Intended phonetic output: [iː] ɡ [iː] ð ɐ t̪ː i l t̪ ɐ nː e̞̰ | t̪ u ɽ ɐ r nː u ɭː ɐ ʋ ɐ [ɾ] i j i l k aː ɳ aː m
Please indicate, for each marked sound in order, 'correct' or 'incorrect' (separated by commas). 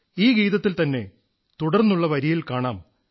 correct, correct, correct